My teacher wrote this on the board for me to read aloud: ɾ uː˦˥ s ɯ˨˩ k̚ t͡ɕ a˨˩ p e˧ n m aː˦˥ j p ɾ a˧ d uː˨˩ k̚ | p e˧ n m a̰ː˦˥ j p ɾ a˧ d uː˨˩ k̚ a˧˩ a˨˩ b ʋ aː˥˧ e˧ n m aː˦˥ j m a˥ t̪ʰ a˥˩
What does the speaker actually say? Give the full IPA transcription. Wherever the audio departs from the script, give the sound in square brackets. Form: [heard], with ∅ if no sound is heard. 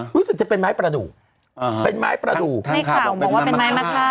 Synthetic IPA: ɾ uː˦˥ s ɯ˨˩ k̚ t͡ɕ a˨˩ p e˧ n m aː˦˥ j p ɾ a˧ d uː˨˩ k̚ | p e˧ n m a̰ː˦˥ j p ɾ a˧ d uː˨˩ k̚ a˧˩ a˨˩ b [w] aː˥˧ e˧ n m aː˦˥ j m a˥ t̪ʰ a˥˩

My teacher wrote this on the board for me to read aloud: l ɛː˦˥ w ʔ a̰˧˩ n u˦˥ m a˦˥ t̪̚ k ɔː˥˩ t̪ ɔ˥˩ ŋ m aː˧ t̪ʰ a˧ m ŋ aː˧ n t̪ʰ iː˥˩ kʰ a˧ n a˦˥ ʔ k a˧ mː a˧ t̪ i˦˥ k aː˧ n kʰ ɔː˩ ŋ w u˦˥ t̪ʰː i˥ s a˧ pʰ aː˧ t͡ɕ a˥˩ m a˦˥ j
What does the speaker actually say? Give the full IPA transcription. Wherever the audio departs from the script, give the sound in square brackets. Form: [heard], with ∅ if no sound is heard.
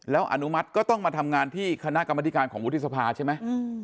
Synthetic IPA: l ɛː˦˥ w ʔ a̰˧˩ n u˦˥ m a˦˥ t̪̚ k ɔː˥˩ t̪ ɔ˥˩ ŋ m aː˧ t̪ʰ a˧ m ŋ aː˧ n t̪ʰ iː˥˩ kʰ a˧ n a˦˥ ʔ k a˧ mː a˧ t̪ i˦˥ k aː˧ n kʰ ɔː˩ ŋ w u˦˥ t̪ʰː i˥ s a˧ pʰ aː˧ [t͡ɕʰ] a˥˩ m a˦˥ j

